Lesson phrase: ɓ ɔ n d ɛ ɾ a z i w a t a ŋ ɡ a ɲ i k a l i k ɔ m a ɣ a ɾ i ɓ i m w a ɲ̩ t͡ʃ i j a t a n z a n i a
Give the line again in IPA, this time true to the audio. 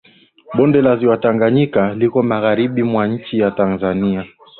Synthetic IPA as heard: ɓ ɔ n d ɛ l a z i w a t a ŋ ɡ a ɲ i k a l i k ɔ m a ɣ a ɾ i ɓ i m w a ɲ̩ t͡ʃ i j a t a n z a n i a